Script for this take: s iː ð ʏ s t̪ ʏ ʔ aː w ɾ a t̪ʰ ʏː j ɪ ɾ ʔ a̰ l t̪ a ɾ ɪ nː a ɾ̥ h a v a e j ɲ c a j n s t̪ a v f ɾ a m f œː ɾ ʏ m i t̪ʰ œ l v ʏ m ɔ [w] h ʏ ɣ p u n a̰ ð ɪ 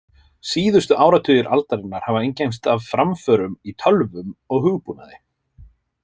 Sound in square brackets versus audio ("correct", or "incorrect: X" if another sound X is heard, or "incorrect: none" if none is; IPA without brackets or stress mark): incorrect: ɣ